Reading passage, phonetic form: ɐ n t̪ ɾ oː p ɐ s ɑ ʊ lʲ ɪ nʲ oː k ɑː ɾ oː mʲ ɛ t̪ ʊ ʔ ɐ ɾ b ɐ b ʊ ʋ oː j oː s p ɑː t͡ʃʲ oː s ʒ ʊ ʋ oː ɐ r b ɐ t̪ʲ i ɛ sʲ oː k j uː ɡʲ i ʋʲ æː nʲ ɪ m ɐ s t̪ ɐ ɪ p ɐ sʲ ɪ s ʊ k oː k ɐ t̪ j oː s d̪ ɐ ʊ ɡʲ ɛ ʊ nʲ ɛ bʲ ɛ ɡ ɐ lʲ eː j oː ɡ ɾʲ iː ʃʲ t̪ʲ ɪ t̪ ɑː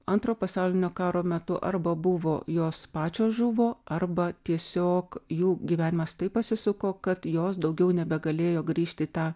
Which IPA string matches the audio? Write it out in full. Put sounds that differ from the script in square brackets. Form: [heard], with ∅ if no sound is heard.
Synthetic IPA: ɐ n t̪ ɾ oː p ɐ s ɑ ʊ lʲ ɪ nʲ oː k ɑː ɾ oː mʲ ɛ t̪ ʊ ʔ ɐ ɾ b ɐ b ʊ ʋ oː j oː s p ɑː t͡ʃʲ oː s ʒ ʊ ʋ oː ɐ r b ɐ t̪ʲ i ɛ sʲ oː k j uː ɡʲ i ʋʲ æː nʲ ɪ m ɐ s t̪ ɐ ɪ p ɐ sʲ ɪ s ʊ k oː k ɐ t̪ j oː s d̪ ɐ ʊ ɡʲ ɛ ʊ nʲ ɛ bʲ ɛ ɡ ɐ lʲ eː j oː ɡ ɾʲ iː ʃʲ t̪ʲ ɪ t̪ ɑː